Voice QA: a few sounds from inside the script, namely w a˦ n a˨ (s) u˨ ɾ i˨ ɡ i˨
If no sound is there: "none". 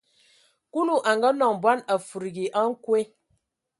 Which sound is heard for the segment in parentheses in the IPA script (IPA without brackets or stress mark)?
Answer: f